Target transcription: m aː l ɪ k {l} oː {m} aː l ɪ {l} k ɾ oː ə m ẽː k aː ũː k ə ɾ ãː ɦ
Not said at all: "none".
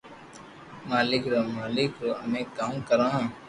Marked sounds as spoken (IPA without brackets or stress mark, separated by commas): ɾ, m, none